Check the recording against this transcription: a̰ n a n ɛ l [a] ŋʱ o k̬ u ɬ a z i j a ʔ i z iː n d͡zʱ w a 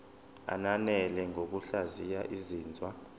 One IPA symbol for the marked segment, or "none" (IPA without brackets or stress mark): ɛ